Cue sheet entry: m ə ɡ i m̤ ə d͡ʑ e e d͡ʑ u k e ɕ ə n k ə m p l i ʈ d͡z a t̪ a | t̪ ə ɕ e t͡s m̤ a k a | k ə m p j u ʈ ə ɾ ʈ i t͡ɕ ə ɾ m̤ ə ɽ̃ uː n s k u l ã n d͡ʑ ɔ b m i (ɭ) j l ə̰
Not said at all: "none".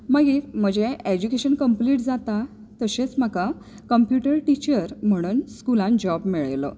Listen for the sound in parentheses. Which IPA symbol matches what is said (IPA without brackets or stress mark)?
ɭ